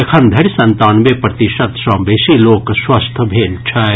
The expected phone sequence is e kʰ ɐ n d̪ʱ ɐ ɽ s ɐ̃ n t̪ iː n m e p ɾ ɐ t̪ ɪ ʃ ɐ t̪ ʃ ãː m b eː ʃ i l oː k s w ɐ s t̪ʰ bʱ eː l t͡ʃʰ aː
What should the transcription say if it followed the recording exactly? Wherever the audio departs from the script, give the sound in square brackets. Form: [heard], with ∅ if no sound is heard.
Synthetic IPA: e kʰ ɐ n d̪ʱ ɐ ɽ s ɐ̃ n t̪ [aː] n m e p ɾ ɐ t̪ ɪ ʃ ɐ t̪ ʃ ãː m b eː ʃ i l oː k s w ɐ s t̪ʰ bʱ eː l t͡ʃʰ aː